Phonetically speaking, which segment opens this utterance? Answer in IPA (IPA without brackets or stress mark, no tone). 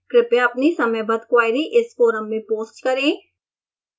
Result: k